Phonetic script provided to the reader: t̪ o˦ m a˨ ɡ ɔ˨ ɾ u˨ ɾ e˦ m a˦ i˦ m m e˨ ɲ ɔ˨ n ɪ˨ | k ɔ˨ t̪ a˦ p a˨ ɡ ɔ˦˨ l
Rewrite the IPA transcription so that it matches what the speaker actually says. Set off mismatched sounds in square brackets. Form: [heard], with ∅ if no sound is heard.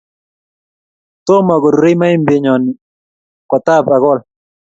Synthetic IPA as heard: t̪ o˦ m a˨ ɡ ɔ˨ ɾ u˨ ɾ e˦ m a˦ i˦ m [b] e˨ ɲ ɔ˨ n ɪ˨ | k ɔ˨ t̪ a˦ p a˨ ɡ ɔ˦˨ l